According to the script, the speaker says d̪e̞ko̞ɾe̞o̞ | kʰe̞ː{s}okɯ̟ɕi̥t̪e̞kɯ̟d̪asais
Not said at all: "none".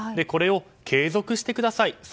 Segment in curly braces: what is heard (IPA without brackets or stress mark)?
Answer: z